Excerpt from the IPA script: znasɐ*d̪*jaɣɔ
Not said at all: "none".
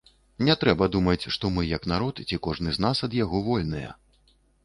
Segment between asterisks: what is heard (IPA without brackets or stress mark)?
d̪